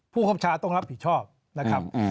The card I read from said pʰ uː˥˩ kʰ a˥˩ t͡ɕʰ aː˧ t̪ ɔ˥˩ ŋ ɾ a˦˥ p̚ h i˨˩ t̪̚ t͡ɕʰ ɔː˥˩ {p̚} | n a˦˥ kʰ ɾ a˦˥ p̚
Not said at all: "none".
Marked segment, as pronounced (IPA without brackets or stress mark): p̚